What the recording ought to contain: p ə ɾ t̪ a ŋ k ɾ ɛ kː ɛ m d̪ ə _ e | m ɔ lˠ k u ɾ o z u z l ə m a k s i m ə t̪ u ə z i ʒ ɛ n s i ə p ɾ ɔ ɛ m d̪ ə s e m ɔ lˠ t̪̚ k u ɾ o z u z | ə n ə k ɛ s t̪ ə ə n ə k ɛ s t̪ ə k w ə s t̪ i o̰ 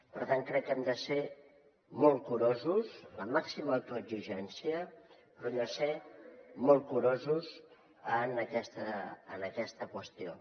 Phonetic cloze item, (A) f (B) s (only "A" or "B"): B